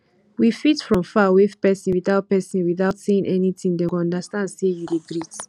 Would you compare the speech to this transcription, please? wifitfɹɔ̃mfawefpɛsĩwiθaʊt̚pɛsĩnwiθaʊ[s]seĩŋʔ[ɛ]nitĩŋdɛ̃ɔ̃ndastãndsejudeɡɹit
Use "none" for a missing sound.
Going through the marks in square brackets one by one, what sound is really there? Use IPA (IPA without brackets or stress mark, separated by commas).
t, ɛ